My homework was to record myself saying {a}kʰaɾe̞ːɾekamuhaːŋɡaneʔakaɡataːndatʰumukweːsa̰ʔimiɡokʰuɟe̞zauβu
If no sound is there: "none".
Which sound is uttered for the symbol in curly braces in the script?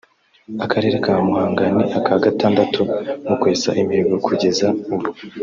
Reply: a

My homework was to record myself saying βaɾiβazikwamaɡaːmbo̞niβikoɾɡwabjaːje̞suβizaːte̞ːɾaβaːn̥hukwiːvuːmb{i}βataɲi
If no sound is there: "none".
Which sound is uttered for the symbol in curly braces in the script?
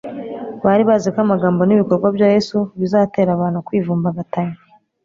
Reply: a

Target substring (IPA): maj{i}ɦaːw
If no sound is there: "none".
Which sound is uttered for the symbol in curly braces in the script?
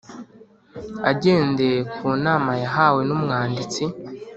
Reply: a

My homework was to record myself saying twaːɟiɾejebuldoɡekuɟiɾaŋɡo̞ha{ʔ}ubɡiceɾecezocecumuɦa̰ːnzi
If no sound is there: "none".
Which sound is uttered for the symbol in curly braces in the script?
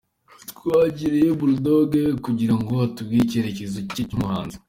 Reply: t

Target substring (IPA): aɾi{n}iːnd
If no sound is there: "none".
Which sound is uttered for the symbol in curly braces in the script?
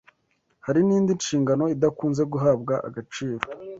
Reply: n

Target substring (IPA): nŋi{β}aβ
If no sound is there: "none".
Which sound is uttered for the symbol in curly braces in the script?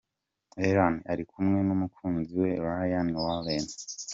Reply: w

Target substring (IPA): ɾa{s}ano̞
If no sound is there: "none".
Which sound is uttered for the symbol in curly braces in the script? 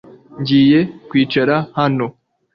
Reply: h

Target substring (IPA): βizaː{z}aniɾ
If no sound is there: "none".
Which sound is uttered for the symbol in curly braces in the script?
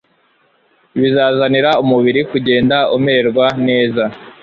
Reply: z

